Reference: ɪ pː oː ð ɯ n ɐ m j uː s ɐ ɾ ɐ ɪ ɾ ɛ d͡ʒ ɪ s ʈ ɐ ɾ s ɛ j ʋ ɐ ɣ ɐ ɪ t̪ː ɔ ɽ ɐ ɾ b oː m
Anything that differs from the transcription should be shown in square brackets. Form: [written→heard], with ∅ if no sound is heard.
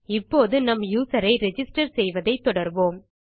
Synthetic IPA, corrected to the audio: ɪ pː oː ð ɯ n ɐ m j uː s ɐ ɾ ɐ ɪ ɾ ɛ d͡ʒ ɪ s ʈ ɐ ɾ s ɛ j ʋ ɐ [ɣ→ð] ɐ ɪ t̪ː ɔ ɽ ɐ ɾ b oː m